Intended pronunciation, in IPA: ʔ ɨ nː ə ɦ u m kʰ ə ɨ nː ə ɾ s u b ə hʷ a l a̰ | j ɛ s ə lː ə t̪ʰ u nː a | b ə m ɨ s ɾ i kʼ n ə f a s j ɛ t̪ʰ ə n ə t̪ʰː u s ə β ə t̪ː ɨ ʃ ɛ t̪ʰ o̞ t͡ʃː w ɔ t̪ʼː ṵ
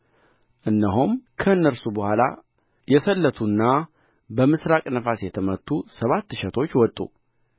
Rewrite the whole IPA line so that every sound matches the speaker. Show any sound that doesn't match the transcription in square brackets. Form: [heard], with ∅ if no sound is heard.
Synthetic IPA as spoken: ʔ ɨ nː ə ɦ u m kʰ ə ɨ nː ə ɾ s u b ə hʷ a l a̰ | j ɛ s ə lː ə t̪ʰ u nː a | b ə m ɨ s ɾ [a] kʼ n ə f a s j ɛ t̪ʰ ə [m] ə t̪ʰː u s ə β [a] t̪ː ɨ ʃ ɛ t̪ʰ o̞ t͡ʃː w ɔ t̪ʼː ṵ